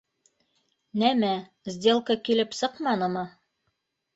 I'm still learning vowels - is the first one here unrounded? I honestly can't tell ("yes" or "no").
yes